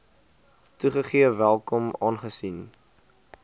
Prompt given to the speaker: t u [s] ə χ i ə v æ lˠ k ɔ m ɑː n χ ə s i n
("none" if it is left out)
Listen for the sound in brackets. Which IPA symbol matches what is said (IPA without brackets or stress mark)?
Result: χ